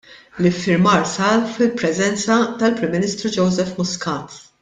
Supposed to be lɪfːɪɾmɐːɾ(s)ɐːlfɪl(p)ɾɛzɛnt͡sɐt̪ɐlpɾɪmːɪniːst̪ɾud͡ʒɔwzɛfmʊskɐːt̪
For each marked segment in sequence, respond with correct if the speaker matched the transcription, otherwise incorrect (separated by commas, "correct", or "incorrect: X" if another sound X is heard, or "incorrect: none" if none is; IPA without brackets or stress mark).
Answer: correct, correct